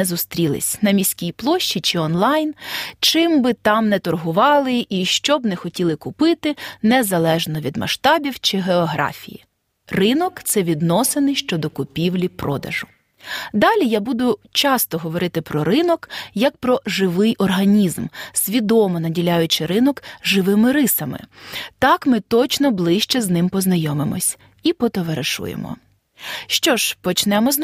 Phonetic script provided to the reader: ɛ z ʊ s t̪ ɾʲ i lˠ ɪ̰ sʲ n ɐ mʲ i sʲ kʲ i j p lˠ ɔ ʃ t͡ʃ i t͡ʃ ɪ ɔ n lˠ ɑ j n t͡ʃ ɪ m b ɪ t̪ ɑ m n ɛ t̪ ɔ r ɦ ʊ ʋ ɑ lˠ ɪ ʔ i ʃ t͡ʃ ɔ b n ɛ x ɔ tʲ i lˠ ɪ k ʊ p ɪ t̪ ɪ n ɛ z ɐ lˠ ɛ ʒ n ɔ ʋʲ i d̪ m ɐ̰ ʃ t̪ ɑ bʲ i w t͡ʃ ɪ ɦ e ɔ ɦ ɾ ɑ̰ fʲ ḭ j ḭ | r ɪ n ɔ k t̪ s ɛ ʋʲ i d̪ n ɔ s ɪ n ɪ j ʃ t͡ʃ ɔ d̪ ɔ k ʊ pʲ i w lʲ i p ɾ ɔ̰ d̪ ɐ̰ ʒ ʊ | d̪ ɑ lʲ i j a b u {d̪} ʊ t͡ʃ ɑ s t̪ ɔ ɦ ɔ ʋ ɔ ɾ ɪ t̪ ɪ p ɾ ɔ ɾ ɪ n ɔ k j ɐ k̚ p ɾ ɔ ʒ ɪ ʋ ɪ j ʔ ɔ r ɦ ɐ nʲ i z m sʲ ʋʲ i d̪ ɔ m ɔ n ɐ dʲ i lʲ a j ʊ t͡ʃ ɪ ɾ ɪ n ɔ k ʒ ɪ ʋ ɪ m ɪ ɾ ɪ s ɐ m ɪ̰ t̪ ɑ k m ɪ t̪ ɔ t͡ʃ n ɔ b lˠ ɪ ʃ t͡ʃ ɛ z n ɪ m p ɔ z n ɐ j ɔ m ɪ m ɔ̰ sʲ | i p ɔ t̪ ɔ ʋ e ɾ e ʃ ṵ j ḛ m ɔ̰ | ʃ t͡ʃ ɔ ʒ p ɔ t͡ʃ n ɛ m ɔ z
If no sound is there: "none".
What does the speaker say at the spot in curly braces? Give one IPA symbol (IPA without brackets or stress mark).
d̪